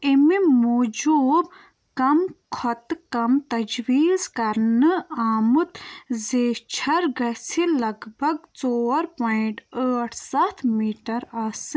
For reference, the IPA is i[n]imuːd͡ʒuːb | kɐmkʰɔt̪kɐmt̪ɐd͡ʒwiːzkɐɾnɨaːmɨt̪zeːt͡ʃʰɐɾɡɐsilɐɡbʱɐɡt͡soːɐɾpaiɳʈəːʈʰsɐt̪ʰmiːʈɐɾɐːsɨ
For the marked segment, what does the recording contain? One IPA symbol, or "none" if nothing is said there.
m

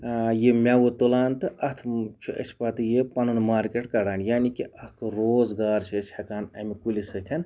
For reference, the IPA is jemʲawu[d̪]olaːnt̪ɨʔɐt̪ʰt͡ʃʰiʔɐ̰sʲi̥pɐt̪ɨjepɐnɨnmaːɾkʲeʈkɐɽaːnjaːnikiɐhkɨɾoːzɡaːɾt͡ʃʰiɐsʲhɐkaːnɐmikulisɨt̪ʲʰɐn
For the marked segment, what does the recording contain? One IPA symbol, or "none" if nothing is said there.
t̪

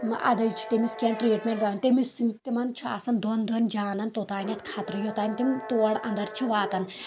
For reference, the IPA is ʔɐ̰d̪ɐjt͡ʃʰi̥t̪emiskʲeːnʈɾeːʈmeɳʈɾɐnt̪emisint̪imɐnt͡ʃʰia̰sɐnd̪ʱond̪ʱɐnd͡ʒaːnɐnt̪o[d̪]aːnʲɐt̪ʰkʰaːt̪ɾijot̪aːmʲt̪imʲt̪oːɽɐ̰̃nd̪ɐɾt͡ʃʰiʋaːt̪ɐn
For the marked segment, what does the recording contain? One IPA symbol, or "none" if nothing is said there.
t̪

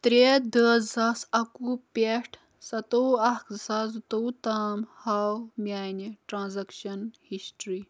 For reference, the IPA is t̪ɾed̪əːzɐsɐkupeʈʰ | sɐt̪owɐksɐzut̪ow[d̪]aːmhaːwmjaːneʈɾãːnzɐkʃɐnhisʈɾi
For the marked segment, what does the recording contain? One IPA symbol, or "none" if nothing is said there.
t̪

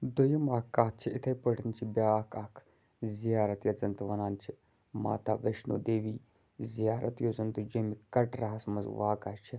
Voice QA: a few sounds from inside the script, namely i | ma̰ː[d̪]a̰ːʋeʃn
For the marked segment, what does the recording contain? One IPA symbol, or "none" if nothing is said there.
t̪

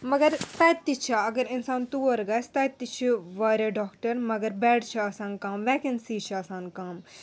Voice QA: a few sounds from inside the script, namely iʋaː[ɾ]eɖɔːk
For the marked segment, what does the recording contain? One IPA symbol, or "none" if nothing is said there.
ɾ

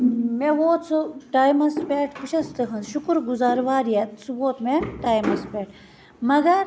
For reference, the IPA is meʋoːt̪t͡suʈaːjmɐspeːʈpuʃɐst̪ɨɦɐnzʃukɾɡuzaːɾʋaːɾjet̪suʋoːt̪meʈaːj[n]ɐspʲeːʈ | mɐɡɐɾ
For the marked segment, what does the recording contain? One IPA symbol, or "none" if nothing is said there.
m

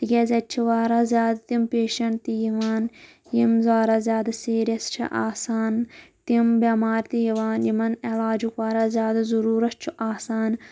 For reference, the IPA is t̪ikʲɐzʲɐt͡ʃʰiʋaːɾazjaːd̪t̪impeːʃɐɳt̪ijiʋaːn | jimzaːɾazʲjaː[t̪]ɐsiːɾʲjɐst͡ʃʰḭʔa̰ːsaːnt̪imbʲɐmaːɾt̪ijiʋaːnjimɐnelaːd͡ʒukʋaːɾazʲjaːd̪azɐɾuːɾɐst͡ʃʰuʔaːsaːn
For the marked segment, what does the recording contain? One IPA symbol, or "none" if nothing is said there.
d̪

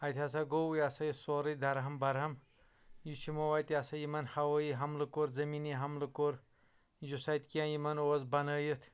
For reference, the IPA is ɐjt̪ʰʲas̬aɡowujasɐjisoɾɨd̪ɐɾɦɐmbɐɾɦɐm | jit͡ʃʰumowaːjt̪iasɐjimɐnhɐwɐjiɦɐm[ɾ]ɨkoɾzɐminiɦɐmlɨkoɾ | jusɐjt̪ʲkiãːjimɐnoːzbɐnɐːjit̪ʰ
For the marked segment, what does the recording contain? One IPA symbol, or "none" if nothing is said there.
l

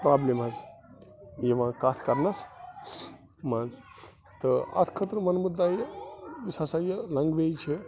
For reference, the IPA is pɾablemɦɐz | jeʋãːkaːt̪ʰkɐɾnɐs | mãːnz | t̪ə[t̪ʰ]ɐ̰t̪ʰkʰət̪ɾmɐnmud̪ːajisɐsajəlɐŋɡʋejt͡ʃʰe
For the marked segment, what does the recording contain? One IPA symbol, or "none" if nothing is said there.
none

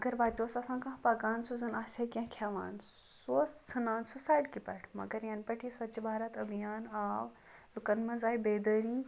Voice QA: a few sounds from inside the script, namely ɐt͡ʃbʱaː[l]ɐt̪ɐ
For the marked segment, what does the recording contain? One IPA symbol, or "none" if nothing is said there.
ɾ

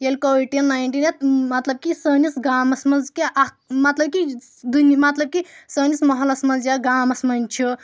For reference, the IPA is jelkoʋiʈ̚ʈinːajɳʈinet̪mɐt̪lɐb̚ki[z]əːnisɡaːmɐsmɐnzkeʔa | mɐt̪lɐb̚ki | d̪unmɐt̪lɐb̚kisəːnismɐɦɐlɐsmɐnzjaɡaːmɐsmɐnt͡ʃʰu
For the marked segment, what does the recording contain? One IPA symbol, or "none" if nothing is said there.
s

